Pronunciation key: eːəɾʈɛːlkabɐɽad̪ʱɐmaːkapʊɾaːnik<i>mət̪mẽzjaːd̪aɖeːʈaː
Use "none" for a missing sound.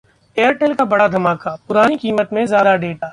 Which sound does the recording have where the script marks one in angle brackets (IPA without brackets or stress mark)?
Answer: iː